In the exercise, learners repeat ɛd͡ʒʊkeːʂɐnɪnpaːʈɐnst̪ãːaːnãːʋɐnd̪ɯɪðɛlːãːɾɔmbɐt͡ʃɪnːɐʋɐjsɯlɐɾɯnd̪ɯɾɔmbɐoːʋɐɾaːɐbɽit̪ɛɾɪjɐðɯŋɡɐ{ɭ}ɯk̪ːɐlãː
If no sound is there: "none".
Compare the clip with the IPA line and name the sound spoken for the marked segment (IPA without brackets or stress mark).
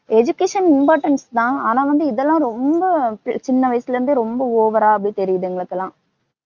ɭ